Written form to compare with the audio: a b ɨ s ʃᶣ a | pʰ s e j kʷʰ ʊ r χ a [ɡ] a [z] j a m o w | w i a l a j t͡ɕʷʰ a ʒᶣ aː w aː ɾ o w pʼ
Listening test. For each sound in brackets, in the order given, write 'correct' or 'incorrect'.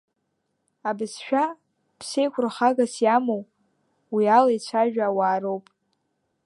correct, incorrect: s

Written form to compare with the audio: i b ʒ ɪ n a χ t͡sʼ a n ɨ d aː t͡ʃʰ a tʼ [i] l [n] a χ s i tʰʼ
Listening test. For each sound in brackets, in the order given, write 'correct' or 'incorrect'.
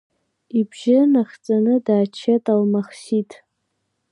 incorrect: a, incorrect: m

